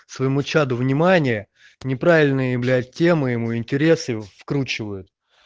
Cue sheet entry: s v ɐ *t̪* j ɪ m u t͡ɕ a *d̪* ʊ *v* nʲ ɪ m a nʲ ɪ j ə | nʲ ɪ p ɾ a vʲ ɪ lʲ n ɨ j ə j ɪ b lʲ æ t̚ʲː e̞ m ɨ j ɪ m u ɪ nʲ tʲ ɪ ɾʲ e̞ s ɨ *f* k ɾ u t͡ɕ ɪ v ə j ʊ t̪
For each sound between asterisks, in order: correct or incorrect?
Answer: incorrect: none, correct, correct, correct

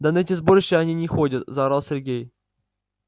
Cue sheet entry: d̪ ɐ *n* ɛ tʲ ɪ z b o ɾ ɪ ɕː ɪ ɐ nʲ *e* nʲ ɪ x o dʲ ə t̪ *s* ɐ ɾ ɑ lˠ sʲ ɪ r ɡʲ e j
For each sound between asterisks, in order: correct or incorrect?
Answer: correct, incorrect: i, incorrect: z

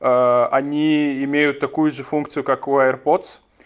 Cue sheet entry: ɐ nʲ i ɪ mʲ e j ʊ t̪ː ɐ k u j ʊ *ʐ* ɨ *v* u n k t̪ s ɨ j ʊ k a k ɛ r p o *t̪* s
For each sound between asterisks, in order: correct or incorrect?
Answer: correct, incorrect: f, correct

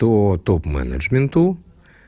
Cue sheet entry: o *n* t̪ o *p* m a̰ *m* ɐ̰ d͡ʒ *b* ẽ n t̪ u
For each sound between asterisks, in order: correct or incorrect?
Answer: incorrect: none, correct, incorrect: n, incorrect: m

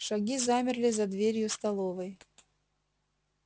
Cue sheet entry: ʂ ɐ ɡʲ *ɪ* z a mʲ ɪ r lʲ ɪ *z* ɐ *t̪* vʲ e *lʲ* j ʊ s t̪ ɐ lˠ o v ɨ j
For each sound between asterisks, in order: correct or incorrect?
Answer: incorrect: i, correct, incorrect: d̪, incorrect: ɾʲ

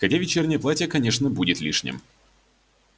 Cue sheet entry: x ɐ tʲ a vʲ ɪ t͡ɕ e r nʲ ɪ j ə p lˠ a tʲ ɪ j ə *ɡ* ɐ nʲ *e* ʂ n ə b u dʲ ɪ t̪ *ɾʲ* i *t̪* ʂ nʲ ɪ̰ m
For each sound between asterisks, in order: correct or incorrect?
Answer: incorrect: k, correct, incorrect: lʲ, incorrect: none

